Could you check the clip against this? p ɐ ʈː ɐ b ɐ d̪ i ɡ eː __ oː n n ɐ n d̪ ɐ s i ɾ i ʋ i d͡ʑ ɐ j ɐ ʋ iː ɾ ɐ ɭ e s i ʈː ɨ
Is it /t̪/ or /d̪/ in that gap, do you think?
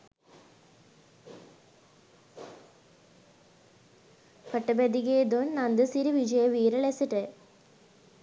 d̪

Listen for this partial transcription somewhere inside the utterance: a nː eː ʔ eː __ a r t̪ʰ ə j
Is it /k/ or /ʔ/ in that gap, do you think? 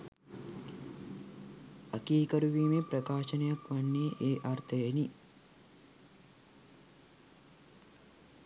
ʔ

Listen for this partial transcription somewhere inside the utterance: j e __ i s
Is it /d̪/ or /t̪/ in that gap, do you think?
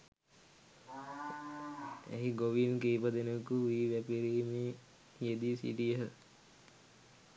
d̪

